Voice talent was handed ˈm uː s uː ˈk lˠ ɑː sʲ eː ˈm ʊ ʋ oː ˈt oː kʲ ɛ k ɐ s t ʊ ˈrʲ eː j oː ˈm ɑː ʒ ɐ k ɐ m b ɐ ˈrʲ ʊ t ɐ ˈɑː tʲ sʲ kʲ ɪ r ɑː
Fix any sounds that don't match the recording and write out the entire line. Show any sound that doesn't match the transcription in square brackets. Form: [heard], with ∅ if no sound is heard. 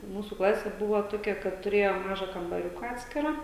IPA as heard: ˈm uː s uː ˈk lˠ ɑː sʲ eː [ˈb] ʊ ʋ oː ˈt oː kʲ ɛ k ɐ [t] t ʊ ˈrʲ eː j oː ˈm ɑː ʒ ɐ k ɐ m b ɐ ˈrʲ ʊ [k] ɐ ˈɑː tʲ sʲ kʲ ɪ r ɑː